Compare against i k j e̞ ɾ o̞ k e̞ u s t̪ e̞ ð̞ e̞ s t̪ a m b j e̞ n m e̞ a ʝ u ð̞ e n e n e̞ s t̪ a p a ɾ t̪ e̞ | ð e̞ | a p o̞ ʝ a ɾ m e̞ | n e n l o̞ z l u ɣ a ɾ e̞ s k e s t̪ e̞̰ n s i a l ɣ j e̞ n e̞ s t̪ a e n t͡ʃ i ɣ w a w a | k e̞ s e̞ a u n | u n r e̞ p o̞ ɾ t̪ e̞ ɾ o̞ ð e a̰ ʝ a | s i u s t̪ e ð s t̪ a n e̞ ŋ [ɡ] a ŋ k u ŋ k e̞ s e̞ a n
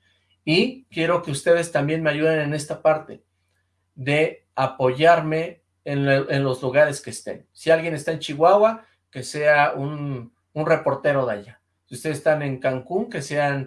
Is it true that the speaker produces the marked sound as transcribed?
no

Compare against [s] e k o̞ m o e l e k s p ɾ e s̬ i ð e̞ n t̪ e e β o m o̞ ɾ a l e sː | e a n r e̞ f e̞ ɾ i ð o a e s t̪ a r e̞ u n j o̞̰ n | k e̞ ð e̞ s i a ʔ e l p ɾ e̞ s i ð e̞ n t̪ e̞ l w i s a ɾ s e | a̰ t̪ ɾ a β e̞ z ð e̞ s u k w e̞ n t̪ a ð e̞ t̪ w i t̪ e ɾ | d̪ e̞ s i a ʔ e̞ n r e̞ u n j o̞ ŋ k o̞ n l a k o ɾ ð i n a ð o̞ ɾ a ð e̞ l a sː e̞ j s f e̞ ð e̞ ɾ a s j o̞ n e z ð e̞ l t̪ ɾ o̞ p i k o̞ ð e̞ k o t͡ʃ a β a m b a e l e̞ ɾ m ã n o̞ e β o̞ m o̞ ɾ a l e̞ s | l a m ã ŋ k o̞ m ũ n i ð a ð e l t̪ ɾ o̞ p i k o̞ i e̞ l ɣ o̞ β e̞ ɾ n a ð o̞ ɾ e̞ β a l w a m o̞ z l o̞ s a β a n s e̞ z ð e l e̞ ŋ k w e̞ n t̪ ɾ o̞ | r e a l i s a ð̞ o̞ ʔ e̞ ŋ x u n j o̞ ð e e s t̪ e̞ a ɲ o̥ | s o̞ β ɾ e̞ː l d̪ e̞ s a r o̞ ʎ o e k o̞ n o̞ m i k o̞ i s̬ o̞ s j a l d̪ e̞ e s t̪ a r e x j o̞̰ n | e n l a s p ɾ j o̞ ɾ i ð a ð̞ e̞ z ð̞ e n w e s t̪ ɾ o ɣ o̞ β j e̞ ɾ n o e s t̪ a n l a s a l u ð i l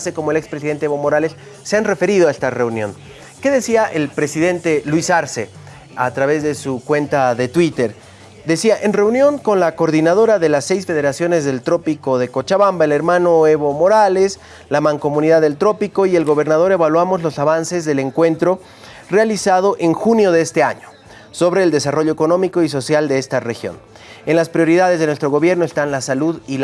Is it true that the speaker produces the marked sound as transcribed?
yes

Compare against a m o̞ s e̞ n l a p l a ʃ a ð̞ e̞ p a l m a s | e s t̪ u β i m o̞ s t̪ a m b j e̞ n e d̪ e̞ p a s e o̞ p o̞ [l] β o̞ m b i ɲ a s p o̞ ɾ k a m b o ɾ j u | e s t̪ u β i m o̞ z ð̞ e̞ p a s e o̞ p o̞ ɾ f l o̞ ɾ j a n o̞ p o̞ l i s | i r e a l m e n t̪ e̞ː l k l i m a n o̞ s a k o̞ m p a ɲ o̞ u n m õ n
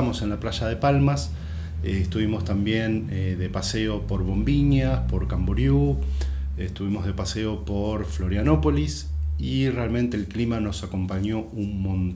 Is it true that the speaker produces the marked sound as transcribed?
no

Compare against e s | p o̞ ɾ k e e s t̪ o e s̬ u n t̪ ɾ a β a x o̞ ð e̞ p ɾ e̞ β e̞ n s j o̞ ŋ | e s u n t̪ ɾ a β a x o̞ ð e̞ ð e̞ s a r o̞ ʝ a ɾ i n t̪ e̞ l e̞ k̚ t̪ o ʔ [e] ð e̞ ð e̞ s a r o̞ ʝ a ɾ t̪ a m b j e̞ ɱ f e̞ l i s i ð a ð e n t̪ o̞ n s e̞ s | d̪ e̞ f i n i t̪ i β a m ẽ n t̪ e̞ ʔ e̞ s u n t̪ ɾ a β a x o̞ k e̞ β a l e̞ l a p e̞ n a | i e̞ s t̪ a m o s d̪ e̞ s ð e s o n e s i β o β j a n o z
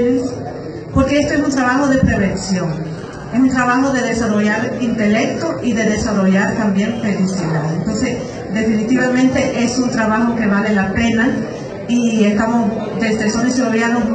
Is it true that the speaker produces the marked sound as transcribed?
no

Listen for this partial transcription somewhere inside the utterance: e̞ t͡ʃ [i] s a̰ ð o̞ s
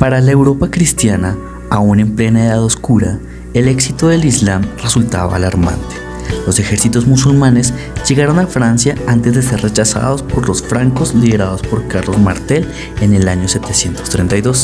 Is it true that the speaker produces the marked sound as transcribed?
no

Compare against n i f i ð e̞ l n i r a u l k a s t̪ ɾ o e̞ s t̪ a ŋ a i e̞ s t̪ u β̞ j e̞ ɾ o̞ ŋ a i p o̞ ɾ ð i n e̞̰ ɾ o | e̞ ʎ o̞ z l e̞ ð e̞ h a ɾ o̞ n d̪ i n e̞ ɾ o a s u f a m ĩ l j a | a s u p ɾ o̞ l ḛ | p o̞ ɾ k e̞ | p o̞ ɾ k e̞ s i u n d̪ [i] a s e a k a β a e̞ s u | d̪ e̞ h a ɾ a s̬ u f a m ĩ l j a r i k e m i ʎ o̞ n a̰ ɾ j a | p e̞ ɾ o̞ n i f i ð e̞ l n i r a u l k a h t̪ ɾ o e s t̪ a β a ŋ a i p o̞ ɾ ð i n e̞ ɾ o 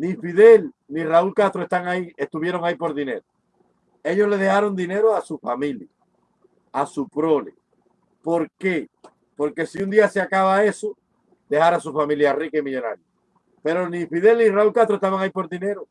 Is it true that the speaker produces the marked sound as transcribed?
yes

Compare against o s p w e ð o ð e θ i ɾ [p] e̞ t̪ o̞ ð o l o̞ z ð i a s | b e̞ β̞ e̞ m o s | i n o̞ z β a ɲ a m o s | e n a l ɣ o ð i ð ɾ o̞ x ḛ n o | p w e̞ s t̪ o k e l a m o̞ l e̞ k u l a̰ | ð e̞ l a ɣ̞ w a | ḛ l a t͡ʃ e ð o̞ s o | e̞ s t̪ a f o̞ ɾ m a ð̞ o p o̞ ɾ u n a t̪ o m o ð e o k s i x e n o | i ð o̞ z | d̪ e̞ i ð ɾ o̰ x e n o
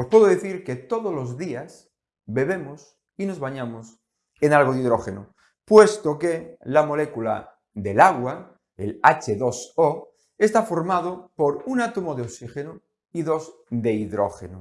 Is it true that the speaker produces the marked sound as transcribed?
no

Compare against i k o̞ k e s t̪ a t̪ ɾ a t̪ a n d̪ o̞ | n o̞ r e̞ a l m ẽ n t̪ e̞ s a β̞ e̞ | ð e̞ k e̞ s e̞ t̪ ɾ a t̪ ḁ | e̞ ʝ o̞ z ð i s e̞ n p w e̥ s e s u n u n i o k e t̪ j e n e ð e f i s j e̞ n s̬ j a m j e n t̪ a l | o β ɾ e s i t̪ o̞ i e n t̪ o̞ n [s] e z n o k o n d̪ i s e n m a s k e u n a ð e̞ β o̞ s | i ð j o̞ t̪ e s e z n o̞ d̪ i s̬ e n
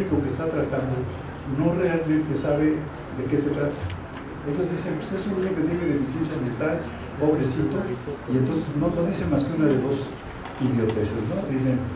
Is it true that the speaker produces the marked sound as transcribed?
yes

